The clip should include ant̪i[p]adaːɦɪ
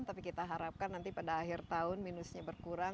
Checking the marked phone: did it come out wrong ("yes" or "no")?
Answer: no